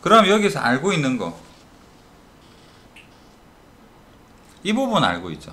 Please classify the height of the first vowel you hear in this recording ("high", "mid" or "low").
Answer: high